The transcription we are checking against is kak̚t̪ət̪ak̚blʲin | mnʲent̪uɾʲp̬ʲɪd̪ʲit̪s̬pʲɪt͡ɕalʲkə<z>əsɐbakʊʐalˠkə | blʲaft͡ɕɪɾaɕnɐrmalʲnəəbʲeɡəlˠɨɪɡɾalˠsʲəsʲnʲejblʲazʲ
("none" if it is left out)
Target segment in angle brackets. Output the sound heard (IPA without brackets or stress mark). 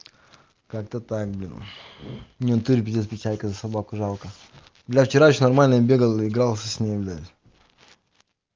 z